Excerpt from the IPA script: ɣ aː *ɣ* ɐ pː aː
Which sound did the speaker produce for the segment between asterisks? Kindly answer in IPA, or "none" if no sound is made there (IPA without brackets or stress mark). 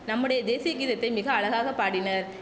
ɣ